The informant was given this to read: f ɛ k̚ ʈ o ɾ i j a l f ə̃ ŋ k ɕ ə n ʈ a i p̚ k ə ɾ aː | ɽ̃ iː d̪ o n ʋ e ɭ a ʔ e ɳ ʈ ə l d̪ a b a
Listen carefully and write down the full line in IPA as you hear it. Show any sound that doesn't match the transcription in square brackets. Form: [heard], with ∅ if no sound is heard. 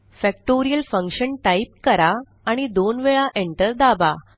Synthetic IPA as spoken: f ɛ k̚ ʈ o ɾ i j [ə] l f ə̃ ŋ k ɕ ə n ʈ a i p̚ k ə ɾ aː | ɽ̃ [i] d̪ o n ʋ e ɭ a ʔ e ɳ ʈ ə [ɾ] d̪ a b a